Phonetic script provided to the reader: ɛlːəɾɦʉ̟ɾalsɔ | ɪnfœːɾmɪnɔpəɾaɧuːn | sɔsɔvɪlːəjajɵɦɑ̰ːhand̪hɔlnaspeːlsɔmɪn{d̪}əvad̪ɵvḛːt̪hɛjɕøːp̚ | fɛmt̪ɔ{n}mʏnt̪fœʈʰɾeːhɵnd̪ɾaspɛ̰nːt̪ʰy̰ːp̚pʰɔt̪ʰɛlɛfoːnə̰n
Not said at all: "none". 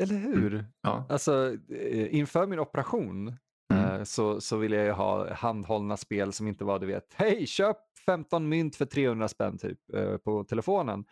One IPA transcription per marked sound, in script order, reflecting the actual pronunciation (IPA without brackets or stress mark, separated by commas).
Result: t̪, n